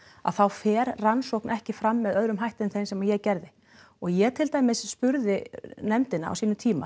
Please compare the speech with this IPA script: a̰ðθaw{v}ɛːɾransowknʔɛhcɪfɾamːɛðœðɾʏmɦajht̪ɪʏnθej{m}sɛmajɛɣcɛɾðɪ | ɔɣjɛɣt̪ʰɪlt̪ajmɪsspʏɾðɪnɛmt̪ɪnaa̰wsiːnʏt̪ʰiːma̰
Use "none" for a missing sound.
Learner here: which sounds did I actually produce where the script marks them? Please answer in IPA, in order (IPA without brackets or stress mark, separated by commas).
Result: f, n